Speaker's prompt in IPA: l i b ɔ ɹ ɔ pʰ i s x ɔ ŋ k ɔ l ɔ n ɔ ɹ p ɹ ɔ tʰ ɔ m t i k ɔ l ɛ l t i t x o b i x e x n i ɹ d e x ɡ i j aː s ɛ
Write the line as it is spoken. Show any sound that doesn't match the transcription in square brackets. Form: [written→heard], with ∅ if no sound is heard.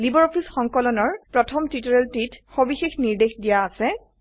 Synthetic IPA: l i b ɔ ɹ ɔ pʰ i s x ɔ ŋ k ɔ l ɔ n ɔ ɹ p ɹ ɔ tʰ ɔ m t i [k→t] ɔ [l→ɹ] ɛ l t i t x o b i x e x n i ɹ d e x [ɡ→d] i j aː s ɛ